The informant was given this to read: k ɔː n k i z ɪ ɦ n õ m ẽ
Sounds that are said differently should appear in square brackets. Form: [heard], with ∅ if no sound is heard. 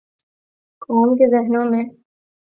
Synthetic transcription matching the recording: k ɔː [m] k [e] z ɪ ɦ n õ m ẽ